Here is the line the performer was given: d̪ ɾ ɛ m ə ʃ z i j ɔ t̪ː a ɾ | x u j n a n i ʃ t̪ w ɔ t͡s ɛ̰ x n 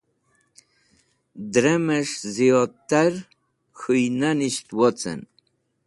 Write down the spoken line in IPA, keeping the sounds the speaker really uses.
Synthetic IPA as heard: d̪ ɾ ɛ m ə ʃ z i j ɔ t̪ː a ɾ | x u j n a n i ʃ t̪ w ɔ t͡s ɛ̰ n

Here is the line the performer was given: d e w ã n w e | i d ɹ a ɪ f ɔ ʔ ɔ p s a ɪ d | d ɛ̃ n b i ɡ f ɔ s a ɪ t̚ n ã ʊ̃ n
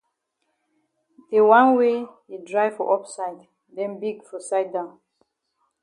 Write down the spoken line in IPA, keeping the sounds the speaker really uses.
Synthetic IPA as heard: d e w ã n w e | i d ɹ a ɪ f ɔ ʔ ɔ p s a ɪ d | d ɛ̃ n b i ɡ f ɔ s a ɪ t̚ d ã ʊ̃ n

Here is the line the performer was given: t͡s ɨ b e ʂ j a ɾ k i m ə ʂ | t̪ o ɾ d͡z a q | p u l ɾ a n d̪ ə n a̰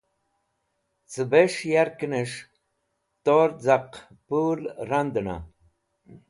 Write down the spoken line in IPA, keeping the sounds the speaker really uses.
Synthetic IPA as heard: t͡s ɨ b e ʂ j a ɾ k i n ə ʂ | t̪ o ɾ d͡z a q | p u l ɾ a n d̪ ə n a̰

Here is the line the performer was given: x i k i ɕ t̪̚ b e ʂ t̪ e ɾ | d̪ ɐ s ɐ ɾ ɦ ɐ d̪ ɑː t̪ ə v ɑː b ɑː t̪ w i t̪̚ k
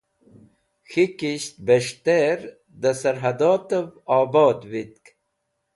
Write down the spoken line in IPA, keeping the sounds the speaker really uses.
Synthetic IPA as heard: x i k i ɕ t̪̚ b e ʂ t̪ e ɾ | d̪ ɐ s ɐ ɾ ɦ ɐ d̪ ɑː t̪ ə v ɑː b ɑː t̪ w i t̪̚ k

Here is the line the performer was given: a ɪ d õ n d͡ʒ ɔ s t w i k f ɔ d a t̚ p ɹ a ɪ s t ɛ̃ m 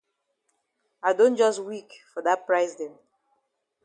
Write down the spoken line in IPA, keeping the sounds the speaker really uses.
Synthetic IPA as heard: a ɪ d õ n d͡ʒ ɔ s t w i k f ɔ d a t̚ p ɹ a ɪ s d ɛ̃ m

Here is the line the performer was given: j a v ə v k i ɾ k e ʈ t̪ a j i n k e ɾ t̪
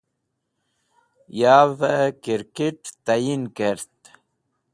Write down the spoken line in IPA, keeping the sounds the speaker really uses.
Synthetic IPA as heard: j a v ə k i ɾ k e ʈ t̪ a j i n k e ɾ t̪

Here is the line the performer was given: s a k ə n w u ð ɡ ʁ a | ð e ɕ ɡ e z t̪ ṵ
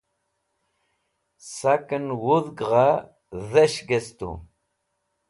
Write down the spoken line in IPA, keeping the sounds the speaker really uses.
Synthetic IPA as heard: s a k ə n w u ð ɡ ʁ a | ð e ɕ ɡ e s t̪ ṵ

